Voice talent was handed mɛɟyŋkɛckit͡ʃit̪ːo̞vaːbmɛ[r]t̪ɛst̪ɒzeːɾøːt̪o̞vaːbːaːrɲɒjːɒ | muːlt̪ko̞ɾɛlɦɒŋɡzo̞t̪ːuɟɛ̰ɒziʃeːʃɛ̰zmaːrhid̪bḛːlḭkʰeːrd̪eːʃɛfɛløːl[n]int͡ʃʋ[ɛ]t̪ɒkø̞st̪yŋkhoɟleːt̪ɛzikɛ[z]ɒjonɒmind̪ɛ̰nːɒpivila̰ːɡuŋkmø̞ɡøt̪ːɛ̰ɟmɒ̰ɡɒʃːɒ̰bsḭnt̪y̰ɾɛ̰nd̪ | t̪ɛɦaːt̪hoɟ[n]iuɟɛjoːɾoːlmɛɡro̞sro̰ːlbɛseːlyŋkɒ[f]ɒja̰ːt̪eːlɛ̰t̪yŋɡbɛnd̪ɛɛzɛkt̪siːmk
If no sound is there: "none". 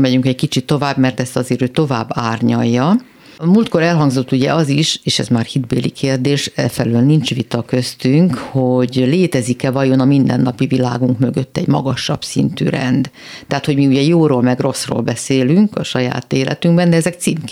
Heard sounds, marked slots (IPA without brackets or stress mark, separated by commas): r, n, i, v, m, ʃ